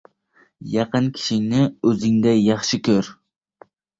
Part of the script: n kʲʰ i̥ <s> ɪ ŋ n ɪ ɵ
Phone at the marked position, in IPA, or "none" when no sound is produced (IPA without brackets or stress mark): ʃ